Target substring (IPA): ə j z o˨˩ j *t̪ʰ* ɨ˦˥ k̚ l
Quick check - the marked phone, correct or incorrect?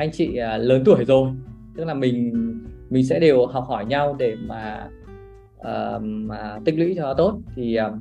incorrect